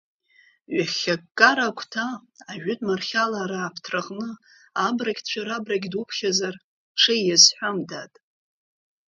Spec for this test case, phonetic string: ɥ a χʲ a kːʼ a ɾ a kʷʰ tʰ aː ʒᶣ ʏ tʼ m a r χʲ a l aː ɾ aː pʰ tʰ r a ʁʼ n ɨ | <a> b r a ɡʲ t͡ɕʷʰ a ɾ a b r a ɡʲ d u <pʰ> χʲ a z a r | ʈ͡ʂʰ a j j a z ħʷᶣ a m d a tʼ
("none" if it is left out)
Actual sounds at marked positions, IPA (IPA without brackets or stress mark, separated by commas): a, pʰ